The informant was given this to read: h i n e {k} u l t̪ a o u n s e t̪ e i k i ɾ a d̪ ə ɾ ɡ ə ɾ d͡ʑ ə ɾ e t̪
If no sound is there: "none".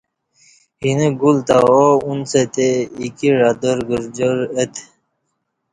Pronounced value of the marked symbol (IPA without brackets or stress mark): ɡ